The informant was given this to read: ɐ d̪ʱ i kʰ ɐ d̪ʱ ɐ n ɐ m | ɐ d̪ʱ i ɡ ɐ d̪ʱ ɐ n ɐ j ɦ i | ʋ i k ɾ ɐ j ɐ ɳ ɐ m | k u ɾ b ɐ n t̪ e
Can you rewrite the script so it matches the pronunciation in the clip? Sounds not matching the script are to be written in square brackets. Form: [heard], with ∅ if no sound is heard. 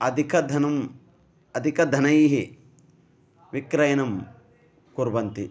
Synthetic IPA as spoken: ɐ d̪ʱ i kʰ ɐ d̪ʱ ɐ n ɐ m | ɐ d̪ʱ i [k] ɐ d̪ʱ ɐ n ɐ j ɦ i | ʋ i k ɾ ɐ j ɐ [n] ɐ m | k u ɾ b ɐ n t̪ [i]